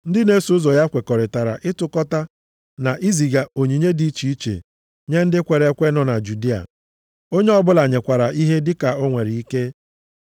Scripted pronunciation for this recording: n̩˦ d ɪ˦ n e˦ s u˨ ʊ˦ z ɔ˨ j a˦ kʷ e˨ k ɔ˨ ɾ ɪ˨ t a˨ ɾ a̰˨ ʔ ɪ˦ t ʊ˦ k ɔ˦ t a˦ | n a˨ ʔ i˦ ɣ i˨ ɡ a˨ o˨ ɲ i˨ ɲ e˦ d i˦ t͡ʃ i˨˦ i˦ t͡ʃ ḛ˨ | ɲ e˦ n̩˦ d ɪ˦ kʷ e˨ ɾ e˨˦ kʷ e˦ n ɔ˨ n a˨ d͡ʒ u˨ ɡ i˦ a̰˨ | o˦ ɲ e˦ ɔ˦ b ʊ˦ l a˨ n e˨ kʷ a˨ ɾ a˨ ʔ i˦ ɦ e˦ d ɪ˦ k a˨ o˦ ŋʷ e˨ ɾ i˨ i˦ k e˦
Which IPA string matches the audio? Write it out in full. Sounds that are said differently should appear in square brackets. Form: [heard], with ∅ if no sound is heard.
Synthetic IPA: n̩˦ d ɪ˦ n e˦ s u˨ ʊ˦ z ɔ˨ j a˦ kʷ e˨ k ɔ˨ ɾ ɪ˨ t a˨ ɾ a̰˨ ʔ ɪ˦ t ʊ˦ k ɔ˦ t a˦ | n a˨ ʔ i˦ [z] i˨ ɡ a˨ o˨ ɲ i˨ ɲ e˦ d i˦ t͡ʃ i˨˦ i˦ t͡ʃ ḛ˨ | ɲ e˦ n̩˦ d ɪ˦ kʷ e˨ ɾ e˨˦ kʷ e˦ n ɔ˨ n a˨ d͡ʒ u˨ [d] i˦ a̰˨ | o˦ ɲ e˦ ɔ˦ b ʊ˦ l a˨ [ɲ] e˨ kʷ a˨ ɾ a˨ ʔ i˦ ɦ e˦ d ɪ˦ k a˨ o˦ ŋʷ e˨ ɾ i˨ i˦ k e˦